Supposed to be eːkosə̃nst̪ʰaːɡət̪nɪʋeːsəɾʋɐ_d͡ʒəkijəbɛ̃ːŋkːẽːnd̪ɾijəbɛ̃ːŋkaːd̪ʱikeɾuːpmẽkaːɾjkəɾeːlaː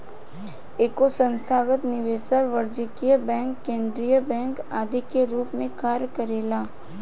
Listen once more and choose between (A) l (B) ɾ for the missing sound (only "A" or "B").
B